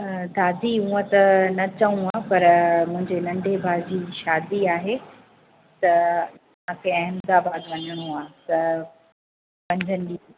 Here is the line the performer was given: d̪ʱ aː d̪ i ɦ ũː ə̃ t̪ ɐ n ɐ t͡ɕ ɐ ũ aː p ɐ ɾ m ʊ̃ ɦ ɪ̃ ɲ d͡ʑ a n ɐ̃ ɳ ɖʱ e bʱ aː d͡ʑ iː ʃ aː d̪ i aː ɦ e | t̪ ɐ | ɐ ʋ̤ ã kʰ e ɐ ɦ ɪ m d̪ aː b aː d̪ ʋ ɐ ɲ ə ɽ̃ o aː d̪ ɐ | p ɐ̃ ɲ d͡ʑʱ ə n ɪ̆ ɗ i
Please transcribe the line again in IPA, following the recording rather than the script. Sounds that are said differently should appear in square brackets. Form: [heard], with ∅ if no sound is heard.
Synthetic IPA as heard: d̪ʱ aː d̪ i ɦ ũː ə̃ t̪ ɐ n ɐ t͡ɕ ɐ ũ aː p ɐ ɾ m ʊ̃ ɦ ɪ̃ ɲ d͡ʑ [e] n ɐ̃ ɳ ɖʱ e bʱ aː d͡ʑ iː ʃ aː d̪ i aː ɦ e | t̪ ɐ | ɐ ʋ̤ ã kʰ e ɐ ɦ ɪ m d̪ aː b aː d̪ ʋ ɐ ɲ ə ɽ̃ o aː [t̪] ɐ | p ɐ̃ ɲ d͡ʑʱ ə n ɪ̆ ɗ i